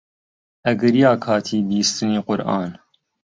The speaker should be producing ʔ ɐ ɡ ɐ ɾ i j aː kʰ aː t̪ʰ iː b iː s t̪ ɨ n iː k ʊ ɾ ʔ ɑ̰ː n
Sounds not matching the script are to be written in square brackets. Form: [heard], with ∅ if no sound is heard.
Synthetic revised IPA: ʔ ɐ ɡ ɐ ɾ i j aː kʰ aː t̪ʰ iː b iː s t̪ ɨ n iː [q] ʊ ɾ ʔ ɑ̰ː n